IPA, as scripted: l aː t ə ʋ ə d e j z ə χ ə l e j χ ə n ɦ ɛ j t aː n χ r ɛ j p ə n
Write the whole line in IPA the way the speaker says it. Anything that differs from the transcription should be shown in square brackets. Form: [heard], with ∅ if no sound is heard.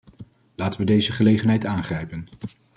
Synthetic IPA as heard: l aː t ə ʋ ə d e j z ə χ ə l e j χ ə n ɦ ɛ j t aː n χ r ɛ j p ə n

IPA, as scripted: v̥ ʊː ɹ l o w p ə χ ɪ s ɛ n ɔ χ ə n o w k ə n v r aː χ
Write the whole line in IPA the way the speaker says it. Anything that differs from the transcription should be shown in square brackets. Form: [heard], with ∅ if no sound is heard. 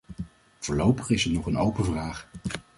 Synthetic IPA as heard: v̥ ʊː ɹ l o w p ə χ ɪ s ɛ n ɔ χ ə n o w [p] ə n v r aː χ

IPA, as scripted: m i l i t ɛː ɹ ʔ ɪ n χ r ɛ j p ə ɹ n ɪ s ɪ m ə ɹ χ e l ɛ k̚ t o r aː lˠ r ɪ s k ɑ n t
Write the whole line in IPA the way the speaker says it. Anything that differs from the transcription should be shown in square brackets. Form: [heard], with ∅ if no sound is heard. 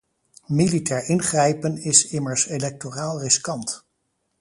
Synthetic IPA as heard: m i l i t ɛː ɹ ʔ ɪ n χ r ɛ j p ə [∅] n ɪ s ɪ m ə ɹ [s] e l ɛ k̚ t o r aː lˠ r ɪ s k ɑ n t

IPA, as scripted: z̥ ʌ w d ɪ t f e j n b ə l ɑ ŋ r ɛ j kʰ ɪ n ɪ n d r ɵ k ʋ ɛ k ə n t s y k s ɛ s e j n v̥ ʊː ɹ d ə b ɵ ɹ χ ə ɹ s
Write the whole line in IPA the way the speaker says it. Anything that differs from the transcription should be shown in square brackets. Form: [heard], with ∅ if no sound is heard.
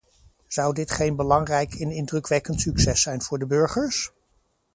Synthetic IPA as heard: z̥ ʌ w d ɪ t [χ] e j n b ə l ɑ ŋ r ɛ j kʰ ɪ n ɪ n d r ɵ k ʋ ɛ k ə n t s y k s ɛ s [ɛ] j n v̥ ʊː ɹ d ə b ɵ ɹ χ ə ɹ s

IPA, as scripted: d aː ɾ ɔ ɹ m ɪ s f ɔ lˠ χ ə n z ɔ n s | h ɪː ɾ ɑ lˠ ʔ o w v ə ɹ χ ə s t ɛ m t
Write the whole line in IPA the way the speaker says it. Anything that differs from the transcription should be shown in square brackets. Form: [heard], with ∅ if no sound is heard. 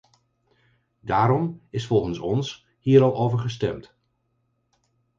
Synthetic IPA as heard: d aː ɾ ɔ [∅] m ɪ s f ɔ lˠ χ ə n [s] ɔ n s | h [iː] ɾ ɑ lˠ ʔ o w v ə ɹ χ ə s t ɛ m t

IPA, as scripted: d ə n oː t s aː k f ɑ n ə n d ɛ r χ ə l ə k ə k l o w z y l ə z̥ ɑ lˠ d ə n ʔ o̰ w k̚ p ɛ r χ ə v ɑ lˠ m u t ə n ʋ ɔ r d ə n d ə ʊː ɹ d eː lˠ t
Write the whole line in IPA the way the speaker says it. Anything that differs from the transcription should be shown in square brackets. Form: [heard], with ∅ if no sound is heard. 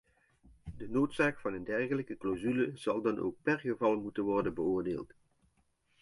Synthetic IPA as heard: d ə n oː t s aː k f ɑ n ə n d ɛ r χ ə l ə k ə k l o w z y l ə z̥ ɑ lˠ d [ɑ] n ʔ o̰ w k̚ p ɛ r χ ə v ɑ lˠ m u t ə n ʋ ɔ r d ə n [b] ə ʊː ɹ d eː lˠ t

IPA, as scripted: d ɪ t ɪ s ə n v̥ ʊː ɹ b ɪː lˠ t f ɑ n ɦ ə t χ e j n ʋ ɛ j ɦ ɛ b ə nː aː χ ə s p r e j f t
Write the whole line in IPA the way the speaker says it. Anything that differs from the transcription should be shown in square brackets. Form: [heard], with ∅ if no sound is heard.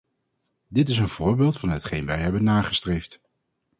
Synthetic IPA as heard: d ɪ t ɪ s ə n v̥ ʊː ɹ b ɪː lˠ t f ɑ n ɦ ə t χ e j n ʋ ɛ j ɦ ɛ b ə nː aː χ ə s [t] r e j f t

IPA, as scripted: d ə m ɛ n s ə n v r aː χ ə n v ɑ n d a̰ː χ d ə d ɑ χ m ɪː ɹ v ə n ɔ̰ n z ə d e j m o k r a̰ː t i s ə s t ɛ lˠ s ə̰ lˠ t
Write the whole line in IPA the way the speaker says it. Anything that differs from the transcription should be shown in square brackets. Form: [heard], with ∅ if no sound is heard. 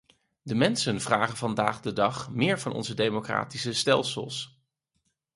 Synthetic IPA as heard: d ə m ɛ n s ə n v r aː χ ə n v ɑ n d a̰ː χ d ə d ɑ χ m ɪː ɹ v [ɑ] n ɔ̰ n z ə d e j m o k r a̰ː t i s ə s t ɛ lˠ s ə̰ lˠ [s]

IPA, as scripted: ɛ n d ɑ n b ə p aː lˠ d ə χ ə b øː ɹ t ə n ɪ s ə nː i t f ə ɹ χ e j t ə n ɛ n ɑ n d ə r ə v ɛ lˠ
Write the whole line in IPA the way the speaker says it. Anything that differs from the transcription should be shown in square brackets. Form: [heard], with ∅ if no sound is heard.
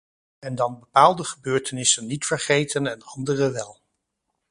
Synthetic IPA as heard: ɛ n d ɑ n b ə p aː lˠ d ə χ ə b øː ɹ t ə n ɪ s ə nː i t f ə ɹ χ e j t ə n ɛ n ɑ n d ə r ə [ʋ] ɛ lˠ

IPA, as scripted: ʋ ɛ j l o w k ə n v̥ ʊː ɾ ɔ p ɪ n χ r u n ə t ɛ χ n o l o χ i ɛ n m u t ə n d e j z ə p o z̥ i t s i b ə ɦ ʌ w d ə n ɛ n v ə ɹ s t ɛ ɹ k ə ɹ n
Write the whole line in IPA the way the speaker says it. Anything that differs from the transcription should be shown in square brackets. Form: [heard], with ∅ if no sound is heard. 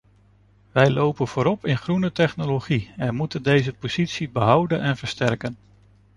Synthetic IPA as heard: ʋ ɛ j l o w [p] ə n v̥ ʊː ɾ ɔ p ɪ n χ r u n ə t ɛ χ n o l o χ i ɛ n m u t ə n d e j z ə p o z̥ i t s i b ə ɦ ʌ w d ə n ɛ n v ə ɹ s t ɛ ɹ k ə [∅] n

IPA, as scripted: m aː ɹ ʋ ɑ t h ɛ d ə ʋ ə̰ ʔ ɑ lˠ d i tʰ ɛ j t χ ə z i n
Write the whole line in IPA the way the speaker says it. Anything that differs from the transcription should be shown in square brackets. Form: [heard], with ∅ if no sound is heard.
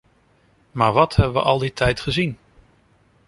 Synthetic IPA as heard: m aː ɹ ʋ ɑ t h ɛ [b] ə ʋ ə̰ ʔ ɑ lˠ d i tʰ ɛ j t χ ə z i n

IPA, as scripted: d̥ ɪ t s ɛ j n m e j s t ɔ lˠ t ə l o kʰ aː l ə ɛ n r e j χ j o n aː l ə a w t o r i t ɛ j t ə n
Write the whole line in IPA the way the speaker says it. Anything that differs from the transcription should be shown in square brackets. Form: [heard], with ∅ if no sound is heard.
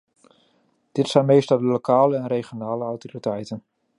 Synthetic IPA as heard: d̥ ɪ t s ɛ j n m e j s t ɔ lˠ [d] ə l o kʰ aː l ə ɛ n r e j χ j o n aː l ə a w t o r i t ɛ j t ə n

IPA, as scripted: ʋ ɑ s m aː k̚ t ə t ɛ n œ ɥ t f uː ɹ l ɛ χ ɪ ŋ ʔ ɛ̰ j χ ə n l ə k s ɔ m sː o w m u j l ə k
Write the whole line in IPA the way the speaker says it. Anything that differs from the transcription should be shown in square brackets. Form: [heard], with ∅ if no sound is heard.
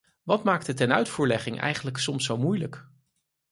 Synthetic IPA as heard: ʋ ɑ [t] m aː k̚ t ə t ɛ n œ ɥ t f uː ɹ l ɛ χ ɪ ŋ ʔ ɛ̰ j χ ə n l ə k s ɔ m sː o w m u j l ə k

